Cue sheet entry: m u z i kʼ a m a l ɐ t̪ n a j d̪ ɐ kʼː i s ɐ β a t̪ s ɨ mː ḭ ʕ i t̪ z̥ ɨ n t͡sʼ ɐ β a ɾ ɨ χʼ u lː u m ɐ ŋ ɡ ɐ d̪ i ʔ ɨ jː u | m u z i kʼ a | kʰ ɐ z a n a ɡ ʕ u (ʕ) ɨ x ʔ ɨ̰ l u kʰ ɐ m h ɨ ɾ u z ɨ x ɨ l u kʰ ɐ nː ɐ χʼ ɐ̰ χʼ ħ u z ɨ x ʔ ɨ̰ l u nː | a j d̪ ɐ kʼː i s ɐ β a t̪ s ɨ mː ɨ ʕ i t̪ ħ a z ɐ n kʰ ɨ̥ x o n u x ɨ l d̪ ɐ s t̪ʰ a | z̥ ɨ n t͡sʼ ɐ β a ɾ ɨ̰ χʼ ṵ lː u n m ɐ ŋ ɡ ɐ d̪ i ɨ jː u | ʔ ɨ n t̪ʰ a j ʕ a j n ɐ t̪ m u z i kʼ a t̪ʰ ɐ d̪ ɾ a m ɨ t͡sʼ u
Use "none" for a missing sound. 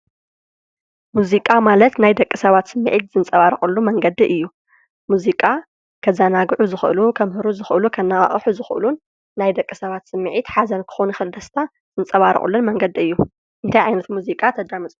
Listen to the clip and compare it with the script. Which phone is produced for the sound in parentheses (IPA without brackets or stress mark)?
z